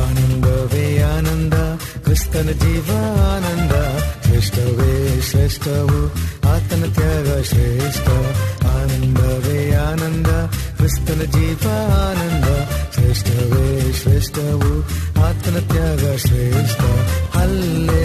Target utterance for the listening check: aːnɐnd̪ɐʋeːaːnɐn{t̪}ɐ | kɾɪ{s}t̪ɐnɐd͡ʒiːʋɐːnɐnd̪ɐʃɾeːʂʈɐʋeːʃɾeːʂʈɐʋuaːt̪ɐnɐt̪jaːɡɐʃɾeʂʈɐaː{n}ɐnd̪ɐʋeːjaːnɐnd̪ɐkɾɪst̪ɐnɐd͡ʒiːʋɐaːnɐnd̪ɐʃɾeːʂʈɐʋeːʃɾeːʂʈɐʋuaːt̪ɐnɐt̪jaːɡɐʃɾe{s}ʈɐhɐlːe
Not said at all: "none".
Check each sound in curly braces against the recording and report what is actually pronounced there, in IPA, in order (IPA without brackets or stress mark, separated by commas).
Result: d̪, s, n, ʂ